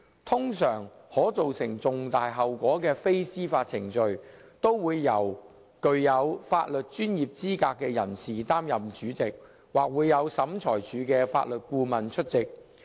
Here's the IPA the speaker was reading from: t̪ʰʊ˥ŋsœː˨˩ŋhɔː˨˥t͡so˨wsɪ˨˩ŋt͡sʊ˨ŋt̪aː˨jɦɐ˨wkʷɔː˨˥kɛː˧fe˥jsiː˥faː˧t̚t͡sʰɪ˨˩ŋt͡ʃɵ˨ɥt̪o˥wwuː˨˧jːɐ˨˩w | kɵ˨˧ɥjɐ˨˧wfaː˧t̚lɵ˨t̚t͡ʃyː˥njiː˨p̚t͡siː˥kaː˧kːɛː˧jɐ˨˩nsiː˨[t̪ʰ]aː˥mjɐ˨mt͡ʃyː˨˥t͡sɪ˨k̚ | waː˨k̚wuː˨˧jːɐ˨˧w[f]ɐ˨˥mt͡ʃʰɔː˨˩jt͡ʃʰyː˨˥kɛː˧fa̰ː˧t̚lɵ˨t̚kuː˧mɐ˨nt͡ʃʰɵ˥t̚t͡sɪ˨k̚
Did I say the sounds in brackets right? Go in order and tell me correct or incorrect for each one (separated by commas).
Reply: incorrect, incorrect